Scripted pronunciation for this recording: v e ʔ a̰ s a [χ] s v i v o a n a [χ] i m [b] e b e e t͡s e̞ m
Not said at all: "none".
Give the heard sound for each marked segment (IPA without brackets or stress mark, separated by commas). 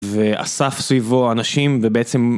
f, ʃ, v